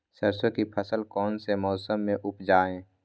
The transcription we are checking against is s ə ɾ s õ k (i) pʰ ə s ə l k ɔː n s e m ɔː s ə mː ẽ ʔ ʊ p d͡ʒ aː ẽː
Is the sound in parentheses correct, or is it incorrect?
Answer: correct